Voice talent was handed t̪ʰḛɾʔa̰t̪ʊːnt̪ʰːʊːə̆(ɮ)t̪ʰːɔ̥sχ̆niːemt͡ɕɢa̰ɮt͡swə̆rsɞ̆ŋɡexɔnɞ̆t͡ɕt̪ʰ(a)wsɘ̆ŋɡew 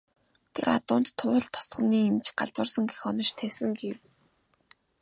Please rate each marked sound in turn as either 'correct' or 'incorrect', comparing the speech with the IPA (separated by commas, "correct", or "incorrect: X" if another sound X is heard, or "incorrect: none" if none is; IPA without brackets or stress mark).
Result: correct, incorrect: æ